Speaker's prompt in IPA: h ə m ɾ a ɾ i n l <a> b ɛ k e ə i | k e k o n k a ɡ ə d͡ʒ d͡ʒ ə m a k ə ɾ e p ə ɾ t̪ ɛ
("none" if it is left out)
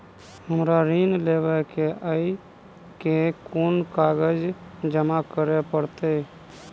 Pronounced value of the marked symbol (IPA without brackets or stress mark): e